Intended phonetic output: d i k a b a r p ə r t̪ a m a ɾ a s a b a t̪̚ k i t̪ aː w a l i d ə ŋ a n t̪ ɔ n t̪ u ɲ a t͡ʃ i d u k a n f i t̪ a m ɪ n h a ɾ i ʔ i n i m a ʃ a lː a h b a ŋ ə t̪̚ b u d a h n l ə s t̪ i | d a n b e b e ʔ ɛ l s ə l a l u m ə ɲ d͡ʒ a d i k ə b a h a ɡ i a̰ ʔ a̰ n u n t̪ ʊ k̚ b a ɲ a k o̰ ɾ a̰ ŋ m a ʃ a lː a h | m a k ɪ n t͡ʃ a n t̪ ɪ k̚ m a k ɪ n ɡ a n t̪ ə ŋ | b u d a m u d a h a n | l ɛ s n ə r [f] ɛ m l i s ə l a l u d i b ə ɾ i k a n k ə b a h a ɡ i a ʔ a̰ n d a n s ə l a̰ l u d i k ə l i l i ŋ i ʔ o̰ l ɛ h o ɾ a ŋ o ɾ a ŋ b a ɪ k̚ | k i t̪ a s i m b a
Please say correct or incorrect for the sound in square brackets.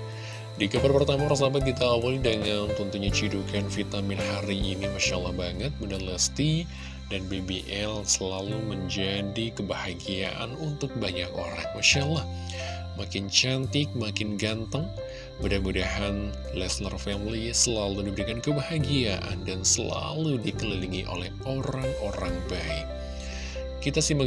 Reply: correct